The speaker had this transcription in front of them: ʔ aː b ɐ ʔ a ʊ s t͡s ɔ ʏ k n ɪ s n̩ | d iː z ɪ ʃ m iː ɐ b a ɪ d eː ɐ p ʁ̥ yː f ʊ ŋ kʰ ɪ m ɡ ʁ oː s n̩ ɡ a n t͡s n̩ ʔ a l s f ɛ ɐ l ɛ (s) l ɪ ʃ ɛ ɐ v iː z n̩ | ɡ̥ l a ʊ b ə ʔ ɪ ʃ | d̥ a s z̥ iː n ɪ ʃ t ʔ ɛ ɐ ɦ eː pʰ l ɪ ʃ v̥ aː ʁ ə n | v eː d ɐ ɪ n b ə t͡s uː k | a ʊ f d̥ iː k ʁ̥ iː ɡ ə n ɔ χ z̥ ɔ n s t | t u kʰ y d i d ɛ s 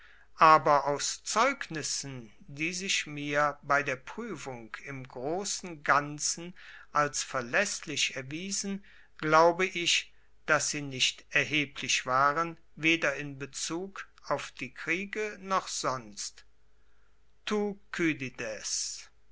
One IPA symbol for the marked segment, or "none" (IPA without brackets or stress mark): s